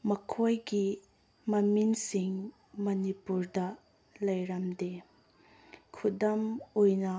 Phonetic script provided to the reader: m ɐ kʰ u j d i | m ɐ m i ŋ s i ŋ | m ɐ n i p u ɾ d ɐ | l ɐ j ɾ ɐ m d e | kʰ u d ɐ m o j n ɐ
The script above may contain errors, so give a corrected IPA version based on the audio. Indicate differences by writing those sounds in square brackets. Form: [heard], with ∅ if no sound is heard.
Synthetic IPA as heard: m ɐ kʰ [o] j [ɡ] i | m ɐ m i [n] s i ŋ | m ɐ n i p u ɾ d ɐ | l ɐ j ɾ ɐ m d e | kʰ u d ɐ m o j n ɐ